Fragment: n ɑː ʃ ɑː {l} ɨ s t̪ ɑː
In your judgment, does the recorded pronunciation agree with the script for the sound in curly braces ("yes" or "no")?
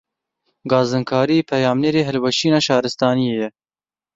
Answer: no